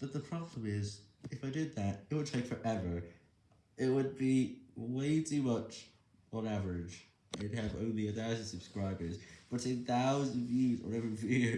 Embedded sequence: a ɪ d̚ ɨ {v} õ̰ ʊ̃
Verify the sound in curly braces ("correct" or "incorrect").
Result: correct